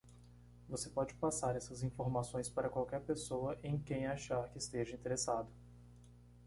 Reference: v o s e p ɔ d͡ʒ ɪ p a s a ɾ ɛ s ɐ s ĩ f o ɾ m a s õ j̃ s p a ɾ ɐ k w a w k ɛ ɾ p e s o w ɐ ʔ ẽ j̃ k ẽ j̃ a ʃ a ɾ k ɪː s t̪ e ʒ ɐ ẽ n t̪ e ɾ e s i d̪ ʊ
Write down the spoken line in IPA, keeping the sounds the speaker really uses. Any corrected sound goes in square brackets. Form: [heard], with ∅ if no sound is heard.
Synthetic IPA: v o s e p ɔ d͡ʒ ɪ p a s a ɾ ɛ s ɐ [z] ĩ f o ɾ m a s õ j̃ s p a ɾ ɐ k w a w k ɛ ɾ p e s o w ɐ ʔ ẽ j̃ k ẽ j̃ a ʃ a ɾ k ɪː s t̪ e ʒ ɐ [ĩ] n t̪ e ɾ e s [a] d̪ ʊ